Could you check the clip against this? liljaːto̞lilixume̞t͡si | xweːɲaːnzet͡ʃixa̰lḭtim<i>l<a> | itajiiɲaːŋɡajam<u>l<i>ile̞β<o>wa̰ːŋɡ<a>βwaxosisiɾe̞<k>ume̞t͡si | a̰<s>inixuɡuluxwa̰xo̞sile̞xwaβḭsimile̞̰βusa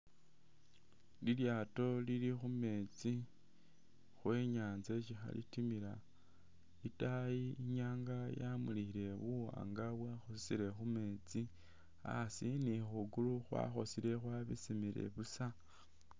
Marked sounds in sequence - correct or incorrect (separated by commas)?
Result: correct, correct, correct, correct, incorrect, correct, incorrect, correct